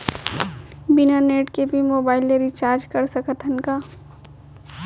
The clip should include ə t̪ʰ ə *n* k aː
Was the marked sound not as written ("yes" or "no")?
no